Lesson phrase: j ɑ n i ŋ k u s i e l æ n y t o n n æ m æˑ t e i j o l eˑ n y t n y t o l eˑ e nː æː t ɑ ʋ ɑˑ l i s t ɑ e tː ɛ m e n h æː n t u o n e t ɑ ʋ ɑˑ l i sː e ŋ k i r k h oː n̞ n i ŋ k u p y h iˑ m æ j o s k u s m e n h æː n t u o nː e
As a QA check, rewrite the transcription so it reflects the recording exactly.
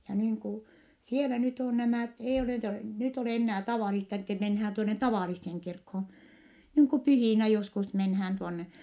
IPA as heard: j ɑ n iː ŋ k u s i e l æ n y t o n n æ m æˑ t e i j o l eˑ n y t n y t o l eˑ e nː æː t ɑ ʋ ɑˑ l i s t ɑ e tː ɛ m e n h æː n t u o n e t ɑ ʋ ɑˑ l i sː e ŋ k i r k h oː n̞ n iː ŋ k u p y h iˑ n æ j o s k u s m e n h æː n t u o nː e